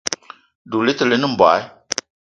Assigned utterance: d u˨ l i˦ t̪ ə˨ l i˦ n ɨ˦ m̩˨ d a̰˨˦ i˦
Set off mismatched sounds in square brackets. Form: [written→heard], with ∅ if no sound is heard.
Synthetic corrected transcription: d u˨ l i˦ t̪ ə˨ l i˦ n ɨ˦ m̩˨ [d→b] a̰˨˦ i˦